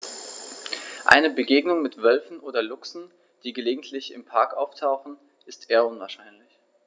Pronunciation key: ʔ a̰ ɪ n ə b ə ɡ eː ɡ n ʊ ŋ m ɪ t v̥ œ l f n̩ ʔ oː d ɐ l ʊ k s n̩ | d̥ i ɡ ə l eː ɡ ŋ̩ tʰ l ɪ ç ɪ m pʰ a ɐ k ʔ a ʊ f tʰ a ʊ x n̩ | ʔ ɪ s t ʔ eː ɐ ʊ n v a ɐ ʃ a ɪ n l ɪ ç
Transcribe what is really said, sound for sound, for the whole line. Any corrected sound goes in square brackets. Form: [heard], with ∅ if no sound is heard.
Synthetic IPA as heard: ʔ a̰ ɪ n ə b ə ɡ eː ɡ n ʊ ŋ m ɪ t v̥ œ l f n̩ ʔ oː d ɐ l ʊ k s n̩ | d̥ [iː] ɡ ə l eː ɡ ŋ̩ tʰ l ɪ ç ɪ m pʰ a ɐ k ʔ a ʊ f tʰ a ʊ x n̩ | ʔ ɪ s t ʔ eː ɐ ʊ n v a ɐ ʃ a ɪ n l ɪ ç